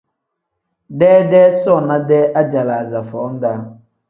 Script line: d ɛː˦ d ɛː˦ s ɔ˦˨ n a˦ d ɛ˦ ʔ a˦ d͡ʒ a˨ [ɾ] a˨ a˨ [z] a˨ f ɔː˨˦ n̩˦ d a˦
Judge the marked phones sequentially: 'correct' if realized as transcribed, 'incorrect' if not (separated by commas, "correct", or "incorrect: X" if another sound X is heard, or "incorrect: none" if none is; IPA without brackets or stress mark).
incorrect: l, correct